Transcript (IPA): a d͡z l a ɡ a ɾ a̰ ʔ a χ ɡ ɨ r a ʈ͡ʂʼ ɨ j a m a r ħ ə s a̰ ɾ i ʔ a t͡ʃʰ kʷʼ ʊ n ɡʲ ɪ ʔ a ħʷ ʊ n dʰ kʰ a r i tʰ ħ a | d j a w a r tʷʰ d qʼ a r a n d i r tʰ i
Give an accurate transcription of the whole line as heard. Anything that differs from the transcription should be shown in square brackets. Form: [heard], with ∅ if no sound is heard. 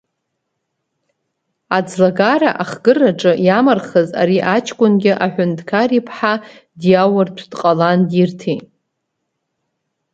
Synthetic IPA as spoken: a d͡z l a ɡ a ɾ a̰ ʔ a χ ɡ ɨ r a ʈ͡ʂʼ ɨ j a m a r [χ] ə [z] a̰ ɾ i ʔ a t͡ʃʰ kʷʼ ʊ n ɡʲ ɪ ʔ a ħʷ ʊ n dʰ kʰ a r i [pʰ] ħ a | d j a w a r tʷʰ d qʼ a [l] a n d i r tʰ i